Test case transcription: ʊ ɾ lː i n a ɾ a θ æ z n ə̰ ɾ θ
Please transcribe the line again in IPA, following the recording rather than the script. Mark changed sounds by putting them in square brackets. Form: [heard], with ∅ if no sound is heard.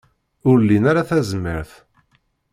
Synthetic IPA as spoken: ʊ ɾ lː i n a ɾ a θ æ z [m] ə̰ ɾ θ